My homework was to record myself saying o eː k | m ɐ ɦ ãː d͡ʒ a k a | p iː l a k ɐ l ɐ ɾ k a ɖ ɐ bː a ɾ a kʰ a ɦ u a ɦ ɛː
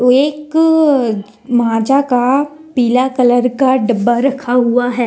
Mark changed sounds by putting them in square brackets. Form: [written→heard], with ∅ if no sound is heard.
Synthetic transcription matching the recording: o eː k | m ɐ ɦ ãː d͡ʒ a k a | p iː l a k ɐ l [ɐ→ə] ɾ k a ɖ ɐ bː a ɾ [a→ɐ] kʰ a ɦ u a ɦ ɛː